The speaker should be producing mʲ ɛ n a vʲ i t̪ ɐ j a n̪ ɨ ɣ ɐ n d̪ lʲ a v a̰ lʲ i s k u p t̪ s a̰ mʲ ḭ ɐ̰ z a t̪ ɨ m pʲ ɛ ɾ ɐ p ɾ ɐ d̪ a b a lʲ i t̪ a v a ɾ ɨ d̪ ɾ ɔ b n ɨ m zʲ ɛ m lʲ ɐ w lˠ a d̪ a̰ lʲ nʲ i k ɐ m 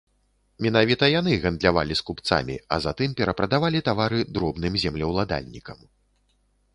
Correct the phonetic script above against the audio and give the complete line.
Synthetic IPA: mʲ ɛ n a vʲ i t̪ ɐ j a n̪ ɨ ɣ ɐ n d̪ lʲ a v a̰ lʲ i s k u p t̪ s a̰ mʲ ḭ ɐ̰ z a t̪ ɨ m pʲ ɛ ɾ ɐ p ɾ ɐ d̪ a v a lʲ i t̪ a v a ɾ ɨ d̪ ɾ ɔ b n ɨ m zʲ ɛ m lʲ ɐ w lˠ a d̪ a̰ lʲ nʲ i k ɐ m